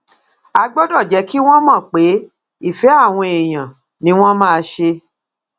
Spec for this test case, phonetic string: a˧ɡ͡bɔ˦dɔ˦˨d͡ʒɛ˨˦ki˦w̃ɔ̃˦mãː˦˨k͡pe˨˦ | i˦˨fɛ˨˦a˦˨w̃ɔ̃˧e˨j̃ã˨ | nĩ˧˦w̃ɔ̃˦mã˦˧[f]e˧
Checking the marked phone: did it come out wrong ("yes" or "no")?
yes